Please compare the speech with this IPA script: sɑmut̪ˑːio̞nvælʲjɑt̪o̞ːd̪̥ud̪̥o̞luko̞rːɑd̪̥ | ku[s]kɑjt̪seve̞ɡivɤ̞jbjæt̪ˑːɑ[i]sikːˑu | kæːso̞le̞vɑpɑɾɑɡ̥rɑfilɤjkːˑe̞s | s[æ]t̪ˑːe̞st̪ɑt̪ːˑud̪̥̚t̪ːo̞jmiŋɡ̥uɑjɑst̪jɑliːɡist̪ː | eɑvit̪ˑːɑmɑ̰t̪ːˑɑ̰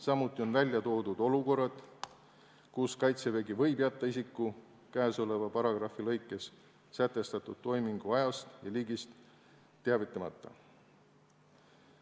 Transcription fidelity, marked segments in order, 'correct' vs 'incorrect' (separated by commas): correct, correct, correct